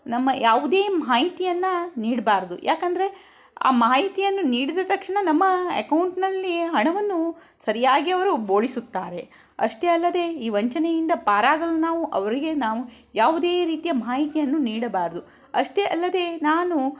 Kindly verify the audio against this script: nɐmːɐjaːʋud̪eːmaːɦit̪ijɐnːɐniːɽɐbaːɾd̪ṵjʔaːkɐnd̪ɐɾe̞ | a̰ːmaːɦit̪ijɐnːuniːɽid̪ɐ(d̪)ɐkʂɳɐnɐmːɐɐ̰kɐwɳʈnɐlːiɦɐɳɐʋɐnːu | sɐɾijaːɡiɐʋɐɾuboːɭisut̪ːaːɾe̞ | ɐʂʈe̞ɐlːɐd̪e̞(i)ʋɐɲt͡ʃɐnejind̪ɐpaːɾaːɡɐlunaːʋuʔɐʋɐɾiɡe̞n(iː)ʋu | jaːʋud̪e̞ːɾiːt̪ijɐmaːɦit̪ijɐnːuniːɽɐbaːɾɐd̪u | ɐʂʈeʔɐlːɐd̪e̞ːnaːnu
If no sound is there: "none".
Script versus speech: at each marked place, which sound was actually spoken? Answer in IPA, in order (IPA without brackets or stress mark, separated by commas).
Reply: t̪, iː, aː